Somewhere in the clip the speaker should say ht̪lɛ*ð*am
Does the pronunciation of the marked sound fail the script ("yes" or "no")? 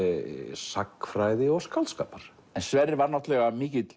yes